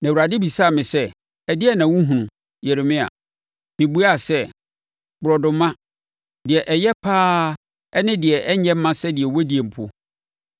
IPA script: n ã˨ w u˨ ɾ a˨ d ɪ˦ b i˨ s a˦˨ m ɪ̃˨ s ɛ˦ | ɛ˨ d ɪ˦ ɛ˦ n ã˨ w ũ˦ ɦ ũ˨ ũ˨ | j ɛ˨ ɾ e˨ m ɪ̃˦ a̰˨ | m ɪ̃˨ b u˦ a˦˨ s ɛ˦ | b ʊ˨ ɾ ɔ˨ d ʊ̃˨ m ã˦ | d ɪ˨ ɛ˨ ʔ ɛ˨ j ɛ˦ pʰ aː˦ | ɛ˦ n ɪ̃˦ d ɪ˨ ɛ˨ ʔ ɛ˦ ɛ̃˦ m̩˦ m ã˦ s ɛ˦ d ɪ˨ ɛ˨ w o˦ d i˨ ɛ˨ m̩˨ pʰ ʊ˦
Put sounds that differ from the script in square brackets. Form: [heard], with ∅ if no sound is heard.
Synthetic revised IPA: n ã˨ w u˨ ɾ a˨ d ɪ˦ b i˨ s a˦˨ m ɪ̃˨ s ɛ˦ | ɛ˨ d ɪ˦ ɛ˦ n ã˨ w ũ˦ ɦ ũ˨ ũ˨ | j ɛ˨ ɾ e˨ m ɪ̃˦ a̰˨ | m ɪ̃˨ b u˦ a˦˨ s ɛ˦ | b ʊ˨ ɾ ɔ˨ d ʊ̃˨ m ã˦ | d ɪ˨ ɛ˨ ʔ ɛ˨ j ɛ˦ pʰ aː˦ | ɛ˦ n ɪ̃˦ d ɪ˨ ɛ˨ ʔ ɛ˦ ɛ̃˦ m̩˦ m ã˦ s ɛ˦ d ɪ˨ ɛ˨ w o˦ d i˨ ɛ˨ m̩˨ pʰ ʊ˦